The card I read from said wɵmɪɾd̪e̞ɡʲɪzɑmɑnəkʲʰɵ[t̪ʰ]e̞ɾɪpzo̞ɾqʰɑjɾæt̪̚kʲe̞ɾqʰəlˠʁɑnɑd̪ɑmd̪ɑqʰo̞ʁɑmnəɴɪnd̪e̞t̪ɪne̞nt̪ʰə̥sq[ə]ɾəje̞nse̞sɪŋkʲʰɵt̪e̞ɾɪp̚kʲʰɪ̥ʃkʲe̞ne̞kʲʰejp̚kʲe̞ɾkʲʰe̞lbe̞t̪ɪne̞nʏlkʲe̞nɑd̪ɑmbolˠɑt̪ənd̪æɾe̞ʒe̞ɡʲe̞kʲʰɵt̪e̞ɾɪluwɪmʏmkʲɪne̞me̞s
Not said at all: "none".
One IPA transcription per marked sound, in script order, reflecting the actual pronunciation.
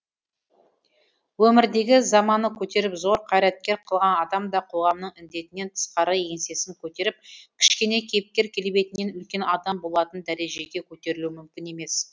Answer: t̪, ɑ

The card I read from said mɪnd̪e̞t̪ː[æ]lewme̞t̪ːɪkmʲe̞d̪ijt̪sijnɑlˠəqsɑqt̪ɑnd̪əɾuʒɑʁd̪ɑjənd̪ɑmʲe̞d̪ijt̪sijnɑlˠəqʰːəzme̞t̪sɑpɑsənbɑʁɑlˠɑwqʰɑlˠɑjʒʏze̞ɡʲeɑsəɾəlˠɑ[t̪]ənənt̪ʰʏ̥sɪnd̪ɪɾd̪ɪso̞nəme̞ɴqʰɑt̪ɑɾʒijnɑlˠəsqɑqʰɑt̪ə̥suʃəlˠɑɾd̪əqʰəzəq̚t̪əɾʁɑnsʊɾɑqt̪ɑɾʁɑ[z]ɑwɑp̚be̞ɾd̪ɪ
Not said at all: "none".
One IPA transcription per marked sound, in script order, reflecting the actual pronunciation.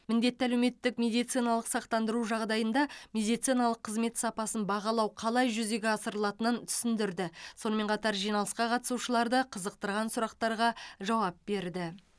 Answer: æ, t̪, ʒ

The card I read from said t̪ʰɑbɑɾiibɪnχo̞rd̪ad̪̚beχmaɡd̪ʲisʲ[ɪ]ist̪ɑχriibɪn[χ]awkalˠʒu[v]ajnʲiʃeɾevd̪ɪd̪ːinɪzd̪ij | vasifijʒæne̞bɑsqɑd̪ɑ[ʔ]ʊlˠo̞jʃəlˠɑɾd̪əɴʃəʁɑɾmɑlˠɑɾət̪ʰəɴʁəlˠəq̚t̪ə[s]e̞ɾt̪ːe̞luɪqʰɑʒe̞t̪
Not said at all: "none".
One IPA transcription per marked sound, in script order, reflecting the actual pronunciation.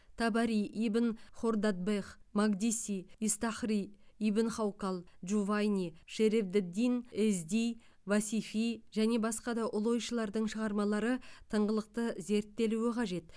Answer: i, χ, v, ʔ, z

